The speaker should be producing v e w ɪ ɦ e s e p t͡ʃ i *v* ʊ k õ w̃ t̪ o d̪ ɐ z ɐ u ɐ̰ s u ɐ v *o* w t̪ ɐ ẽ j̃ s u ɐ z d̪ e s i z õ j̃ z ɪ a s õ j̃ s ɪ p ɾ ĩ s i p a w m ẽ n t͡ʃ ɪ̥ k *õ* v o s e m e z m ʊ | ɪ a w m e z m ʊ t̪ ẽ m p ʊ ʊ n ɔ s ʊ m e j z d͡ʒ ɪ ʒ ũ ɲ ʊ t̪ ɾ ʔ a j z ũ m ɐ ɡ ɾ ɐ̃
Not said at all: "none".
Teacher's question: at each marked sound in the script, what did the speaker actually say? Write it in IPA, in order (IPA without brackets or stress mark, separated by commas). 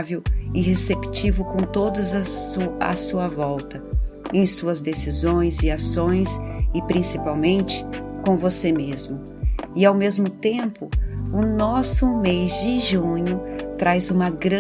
v, ɔ, õ